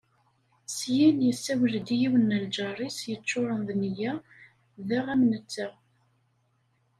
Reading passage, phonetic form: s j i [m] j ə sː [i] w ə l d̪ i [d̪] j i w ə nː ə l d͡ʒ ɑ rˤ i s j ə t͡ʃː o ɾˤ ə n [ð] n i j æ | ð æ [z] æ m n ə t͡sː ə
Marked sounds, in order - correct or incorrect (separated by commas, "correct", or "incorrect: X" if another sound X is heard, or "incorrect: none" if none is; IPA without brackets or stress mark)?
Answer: incorrect: n, incorrect: æ, incorrect: none, correct, incorrect: ʁ